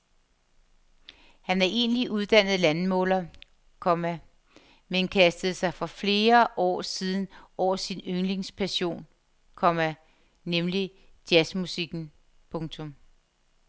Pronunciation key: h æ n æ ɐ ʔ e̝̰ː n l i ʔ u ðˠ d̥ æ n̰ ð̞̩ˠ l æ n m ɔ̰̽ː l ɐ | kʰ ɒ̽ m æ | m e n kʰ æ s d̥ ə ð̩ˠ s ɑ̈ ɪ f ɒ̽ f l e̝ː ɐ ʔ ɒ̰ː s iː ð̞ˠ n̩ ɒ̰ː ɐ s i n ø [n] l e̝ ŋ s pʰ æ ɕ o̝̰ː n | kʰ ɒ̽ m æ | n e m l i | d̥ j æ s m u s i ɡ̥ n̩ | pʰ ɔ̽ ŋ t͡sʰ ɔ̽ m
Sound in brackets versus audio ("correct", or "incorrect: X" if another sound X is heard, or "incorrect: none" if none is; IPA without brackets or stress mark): incorrect: ŋ